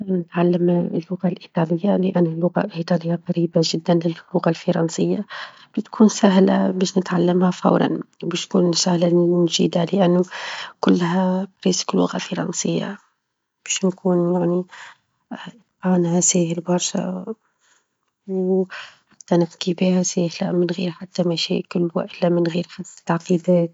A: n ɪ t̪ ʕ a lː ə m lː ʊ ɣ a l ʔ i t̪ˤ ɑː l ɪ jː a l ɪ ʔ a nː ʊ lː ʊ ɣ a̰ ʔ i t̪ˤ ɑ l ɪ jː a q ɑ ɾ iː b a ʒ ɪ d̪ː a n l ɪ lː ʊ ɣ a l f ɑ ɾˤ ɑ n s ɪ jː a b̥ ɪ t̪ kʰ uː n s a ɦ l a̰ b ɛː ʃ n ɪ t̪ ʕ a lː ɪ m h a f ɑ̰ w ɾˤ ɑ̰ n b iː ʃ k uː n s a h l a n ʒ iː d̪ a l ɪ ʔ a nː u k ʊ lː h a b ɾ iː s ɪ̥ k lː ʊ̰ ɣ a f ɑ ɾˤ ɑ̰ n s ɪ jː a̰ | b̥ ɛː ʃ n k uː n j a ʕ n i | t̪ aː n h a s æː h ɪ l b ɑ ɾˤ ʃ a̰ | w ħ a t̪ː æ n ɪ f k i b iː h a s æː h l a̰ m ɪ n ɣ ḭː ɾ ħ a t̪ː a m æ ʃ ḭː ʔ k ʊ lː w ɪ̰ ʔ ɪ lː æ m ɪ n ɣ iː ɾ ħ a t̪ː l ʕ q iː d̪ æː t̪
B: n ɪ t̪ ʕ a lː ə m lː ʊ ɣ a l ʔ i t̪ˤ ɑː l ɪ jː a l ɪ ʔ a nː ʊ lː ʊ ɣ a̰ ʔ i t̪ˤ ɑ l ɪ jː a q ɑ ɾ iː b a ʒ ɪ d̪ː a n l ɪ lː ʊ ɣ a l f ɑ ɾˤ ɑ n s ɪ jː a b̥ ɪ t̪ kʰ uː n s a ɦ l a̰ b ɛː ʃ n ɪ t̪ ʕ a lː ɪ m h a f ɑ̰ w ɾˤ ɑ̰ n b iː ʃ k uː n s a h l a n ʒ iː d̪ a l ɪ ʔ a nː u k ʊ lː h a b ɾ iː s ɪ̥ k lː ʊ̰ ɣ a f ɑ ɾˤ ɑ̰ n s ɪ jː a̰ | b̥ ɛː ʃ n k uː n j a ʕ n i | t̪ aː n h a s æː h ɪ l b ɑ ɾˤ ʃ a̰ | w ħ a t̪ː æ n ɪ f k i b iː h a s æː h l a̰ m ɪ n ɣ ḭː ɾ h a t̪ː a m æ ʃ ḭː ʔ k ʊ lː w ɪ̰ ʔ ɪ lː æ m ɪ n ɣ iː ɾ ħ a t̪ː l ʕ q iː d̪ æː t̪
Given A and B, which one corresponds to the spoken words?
A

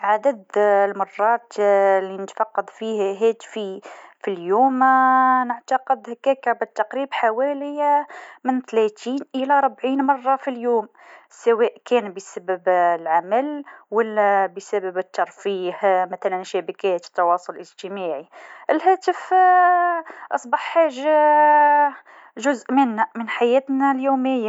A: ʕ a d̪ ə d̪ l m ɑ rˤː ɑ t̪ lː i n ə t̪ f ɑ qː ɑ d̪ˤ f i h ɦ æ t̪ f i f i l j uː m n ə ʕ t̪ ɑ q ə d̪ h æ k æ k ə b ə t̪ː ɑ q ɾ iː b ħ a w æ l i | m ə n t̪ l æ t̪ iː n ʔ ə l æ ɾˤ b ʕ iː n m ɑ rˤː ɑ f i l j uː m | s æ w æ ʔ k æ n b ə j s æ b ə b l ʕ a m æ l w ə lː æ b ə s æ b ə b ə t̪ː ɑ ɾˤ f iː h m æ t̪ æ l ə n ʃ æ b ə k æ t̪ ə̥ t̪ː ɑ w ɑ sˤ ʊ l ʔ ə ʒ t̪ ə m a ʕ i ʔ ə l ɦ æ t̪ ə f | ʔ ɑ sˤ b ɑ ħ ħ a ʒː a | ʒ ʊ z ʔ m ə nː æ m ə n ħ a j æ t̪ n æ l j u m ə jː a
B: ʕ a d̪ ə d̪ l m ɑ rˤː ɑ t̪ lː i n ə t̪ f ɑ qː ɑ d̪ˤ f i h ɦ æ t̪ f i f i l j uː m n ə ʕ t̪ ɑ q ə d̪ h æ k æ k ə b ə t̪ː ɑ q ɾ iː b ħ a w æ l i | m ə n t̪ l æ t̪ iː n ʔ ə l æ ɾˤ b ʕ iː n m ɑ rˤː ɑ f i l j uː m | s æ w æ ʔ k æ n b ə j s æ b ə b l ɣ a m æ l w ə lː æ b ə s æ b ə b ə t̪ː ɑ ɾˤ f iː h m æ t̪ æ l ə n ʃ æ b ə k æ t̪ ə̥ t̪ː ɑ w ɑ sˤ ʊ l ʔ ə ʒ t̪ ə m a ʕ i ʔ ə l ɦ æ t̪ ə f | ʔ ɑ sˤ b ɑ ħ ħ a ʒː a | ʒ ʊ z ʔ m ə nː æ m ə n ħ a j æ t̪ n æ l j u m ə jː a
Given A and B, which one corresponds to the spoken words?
A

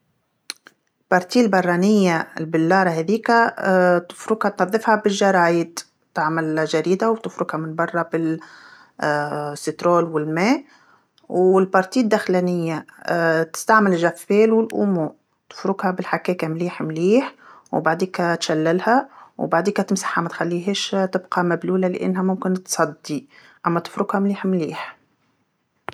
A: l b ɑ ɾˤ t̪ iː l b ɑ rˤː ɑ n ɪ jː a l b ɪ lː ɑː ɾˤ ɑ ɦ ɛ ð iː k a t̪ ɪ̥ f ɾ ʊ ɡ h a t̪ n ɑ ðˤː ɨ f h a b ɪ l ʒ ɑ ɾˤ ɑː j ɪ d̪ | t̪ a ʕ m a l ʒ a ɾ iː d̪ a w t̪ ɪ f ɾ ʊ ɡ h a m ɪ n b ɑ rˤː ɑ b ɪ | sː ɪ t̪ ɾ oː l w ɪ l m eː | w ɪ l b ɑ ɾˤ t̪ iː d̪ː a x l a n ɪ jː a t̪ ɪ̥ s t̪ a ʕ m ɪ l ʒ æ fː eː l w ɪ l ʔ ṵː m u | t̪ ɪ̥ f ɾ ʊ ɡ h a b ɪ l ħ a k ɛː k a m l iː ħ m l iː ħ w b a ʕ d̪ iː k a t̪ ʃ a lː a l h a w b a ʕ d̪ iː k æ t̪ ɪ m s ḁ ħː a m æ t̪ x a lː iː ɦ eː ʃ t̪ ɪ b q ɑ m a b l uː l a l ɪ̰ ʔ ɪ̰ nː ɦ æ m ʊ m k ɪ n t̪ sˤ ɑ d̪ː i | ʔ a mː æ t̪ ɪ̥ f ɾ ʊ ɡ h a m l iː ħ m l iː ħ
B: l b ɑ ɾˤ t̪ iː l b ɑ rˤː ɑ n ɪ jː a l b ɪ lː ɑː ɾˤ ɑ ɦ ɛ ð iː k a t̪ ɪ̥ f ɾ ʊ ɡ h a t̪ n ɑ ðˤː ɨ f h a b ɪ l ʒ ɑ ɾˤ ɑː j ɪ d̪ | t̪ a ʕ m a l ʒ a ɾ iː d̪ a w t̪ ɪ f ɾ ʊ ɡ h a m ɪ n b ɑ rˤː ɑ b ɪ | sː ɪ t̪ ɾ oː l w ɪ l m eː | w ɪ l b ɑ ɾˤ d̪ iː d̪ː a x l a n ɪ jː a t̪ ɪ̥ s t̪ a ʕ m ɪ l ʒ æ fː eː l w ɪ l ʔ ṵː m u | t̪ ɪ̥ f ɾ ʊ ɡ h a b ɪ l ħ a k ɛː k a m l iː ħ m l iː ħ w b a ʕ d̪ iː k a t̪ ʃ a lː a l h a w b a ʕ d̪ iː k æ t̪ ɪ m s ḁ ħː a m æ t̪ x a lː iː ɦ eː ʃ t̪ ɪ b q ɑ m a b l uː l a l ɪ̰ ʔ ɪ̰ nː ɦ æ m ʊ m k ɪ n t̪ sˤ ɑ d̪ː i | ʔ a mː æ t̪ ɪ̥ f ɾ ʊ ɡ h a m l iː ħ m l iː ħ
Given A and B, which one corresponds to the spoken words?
A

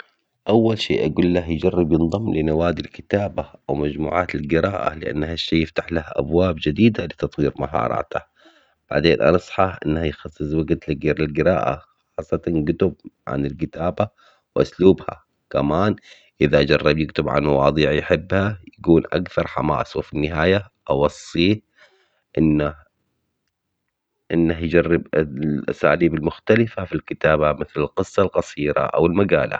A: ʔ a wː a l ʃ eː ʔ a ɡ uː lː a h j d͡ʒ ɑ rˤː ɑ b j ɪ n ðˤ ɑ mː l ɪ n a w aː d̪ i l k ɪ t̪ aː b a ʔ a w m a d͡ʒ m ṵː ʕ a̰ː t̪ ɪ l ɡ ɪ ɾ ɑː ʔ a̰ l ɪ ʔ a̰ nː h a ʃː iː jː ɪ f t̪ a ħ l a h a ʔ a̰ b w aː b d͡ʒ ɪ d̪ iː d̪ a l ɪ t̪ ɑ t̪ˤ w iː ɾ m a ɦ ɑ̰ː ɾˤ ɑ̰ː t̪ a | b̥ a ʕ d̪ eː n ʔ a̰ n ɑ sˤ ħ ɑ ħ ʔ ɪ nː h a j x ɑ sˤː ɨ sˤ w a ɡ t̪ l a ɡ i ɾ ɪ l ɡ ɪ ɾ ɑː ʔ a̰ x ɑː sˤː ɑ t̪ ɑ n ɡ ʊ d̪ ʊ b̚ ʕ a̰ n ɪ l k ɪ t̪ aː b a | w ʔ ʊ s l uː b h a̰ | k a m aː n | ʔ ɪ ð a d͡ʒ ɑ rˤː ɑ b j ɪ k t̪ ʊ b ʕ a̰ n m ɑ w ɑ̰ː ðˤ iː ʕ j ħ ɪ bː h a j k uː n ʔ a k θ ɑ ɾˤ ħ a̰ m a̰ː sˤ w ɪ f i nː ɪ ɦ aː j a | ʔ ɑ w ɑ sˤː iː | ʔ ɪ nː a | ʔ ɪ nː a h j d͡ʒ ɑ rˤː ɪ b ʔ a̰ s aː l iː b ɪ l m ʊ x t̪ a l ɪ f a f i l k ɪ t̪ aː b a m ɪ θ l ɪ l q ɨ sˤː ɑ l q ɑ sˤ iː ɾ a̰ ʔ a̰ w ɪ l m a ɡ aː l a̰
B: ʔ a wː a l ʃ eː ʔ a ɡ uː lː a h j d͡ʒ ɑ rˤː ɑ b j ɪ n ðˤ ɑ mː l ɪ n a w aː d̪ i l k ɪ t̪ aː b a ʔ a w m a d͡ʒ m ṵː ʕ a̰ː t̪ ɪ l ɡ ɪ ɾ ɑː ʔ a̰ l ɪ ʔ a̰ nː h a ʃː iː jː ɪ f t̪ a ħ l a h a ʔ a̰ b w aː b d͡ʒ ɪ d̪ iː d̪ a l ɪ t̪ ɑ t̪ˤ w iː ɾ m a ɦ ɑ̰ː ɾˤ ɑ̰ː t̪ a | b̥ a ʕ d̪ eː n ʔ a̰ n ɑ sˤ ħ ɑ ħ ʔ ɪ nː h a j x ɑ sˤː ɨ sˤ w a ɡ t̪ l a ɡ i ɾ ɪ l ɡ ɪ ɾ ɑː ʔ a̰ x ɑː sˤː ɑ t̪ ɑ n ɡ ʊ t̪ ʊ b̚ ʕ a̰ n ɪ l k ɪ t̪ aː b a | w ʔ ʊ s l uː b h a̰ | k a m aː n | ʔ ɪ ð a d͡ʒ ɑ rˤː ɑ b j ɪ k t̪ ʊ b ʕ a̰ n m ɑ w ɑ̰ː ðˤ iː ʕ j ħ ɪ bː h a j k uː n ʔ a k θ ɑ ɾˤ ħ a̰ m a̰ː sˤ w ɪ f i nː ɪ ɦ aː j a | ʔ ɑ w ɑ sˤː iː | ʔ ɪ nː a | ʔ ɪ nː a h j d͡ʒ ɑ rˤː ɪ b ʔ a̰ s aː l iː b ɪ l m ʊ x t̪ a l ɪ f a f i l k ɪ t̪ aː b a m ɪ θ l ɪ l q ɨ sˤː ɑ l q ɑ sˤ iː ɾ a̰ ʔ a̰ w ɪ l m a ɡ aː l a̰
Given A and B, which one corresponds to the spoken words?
B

